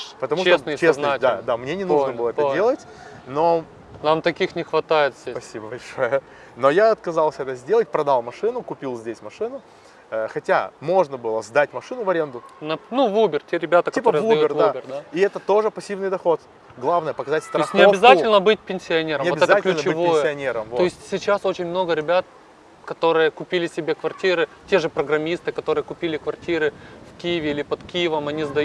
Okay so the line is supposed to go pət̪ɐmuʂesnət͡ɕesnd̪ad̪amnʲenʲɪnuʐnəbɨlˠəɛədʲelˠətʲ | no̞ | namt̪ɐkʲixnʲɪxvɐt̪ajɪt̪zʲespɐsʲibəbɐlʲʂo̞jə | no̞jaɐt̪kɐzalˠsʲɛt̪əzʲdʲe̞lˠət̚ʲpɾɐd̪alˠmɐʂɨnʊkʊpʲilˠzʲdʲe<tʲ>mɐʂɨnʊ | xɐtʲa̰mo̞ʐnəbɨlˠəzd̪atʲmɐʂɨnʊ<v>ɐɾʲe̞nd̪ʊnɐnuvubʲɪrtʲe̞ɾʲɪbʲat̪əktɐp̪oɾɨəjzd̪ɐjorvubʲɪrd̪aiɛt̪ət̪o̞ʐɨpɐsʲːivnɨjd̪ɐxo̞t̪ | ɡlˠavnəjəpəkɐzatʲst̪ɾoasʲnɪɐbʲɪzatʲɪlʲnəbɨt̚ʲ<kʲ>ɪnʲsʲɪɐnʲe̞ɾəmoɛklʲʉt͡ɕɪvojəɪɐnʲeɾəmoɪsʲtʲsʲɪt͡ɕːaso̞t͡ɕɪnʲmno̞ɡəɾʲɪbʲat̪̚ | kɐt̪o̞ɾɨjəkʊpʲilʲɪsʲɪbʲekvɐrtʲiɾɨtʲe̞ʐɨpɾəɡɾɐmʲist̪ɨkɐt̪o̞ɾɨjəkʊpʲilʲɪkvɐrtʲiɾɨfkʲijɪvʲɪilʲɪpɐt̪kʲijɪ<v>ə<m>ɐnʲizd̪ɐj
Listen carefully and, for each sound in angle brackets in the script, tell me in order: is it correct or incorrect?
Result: incorrect, correct, incorrect, correct, correct

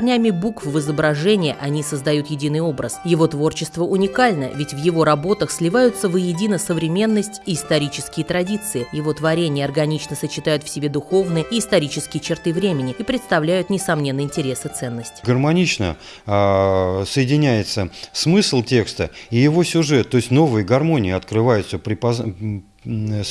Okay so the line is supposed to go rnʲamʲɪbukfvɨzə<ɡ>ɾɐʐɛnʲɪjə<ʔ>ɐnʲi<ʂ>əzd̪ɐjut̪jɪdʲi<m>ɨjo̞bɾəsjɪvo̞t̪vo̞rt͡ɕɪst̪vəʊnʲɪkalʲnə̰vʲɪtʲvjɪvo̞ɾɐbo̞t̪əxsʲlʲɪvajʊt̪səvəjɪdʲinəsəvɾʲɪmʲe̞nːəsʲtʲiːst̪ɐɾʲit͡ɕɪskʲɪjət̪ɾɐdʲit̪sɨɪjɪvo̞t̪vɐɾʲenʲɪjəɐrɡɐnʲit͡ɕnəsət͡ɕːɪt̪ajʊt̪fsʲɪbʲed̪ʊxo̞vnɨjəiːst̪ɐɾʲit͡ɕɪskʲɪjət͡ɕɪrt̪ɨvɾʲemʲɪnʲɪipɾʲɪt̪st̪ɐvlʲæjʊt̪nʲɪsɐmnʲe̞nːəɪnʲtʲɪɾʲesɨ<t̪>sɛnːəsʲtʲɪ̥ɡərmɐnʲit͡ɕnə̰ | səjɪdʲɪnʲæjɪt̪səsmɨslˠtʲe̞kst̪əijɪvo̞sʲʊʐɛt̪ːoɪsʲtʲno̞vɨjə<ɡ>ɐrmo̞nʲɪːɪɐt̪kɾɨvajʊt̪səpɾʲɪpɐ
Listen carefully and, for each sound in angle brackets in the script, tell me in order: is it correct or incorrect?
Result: incorrect, correct, incorrect, incorrect, correct, correct

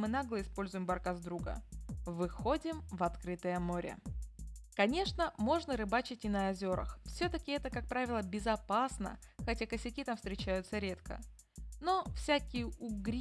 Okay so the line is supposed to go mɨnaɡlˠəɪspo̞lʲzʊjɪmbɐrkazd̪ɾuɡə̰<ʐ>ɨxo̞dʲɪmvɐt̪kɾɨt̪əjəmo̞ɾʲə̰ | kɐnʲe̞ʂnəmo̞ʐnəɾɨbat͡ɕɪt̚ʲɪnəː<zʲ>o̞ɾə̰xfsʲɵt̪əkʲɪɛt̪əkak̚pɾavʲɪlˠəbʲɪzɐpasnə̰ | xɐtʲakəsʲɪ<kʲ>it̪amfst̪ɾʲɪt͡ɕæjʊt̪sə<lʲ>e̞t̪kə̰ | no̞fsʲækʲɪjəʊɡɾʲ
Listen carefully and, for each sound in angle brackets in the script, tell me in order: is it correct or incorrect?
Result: incorrect, correct, correct, incorrect

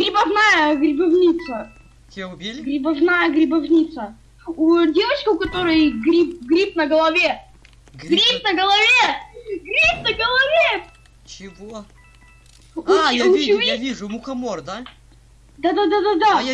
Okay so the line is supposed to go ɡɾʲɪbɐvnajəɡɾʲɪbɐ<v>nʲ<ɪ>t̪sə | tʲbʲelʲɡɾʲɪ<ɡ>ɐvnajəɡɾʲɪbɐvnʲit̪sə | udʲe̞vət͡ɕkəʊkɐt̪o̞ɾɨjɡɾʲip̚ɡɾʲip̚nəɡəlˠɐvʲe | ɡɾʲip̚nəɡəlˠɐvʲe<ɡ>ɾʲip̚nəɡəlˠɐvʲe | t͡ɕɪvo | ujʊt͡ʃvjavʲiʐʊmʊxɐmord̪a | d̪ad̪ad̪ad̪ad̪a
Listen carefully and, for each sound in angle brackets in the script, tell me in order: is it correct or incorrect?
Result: correct, incorrect, incorrect, correct

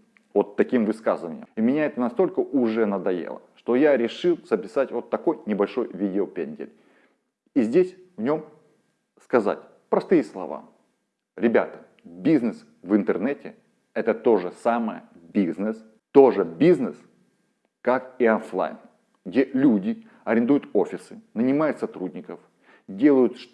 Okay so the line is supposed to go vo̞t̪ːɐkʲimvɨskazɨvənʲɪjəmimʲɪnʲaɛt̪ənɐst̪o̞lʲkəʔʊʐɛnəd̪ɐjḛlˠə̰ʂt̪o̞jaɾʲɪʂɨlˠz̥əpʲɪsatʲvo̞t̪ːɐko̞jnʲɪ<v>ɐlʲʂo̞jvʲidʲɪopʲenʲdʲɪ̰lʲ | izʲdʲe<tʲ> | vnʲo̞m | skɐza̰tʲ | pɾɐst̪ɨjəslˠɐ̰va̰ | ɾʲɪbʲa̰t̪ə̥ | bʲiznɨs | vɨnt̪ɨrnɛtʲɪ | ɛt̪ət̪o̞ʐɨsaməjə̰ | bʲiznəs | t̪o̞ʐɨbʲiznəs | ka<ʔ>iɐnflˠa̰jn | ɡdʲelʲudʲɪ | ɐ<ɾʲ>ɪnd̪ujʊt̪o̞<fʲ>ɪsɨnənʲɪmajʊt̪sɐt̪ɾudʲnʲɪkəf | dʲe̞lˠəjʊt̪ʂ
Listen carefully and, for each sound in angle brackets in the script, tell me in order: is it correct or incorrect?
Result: incorrect, incorrect, incorrect, correct, correct

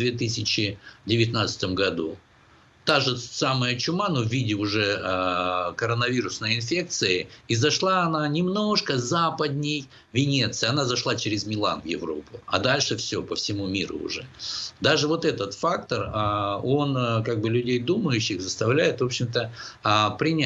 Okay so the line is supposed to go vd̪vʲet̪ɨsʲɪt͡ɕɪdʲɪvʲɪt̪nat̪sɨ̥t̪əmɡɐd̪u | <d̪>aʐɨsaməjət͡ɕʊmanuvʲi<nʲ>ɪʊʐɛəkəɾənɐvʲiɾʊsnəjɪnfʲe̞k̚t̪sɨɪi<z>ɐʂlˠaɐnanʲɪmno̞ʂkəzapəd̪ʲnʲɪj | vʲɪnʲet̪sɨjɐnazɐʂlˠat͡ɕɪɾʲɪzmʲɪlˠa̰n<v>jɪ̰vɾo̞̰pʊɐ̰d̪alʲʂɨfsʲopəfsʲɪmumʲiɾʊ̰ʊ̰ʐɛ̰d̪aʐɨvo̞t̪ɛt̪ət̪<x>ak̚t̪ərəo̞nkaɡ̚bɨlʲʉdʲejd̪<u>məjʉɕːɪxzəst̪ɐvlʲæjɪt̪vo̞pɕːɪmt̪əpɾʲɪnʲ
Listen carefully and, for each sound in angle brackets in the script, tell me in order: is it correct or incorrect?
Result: incorrect, incorrect, correct, correct, incorrect, correct

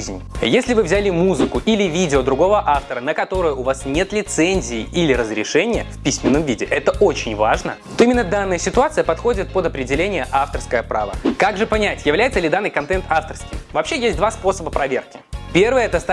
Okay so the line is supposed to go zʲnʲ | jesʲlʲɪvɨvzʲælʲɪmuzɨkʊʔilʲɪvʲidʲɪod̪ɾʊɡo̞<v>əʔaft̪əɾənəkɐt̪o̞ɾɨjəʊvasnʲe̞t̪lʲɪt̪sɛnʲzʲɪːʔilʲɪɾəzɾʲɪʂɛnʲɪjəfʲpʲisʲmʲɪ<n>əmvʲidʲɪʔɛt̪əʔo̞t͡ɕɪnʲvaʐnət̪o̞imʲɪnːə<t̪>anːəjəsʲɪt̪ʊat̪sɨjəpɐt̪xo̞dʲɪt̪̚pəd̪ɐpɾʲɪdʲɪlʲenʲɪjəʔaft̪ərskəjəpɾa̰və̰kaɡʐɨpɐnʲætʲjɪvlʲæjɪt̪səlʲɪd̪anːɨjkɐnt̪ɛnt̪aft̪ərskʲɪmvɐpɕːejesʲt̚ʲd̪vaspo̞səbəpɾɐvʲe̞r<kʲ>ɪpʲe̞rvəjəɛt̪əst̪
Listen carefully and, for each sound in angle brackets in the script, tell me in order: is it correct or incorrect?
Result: correct, incorrect, incorrect, correct

